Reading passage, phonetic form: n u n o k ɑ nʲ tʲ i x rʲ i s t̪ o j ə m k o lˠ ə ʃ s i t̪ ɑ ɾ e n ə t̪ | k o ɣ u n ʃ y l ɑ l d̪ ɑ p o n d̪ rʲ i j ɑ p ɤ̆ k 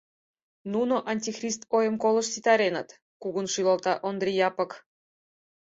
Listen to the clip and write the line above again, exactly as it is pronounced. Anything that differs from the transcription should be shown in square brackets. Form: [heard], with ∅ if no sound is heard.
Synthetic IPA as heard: n u n o [ʔ] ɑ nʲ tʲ i x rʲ i s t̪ o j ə m k o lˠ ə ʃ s i t̪ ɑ ɾ e n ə t̪ | k [u] ɣ u n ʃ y l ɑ l [t̪] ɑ [ʔ] o n d̪ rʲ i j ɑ p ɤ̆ k